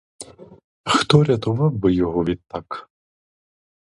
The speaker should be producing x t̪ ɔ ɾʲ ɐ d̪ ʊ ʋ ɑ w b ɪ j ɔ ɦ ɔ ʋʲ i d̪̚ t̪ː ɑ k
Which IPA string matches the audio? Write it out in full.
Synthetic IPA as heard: x t̪ ɔ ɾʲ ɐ t̪ ʊ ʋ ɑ w b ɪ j ɔ ɦ ɔ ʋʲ i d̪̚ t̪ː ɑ k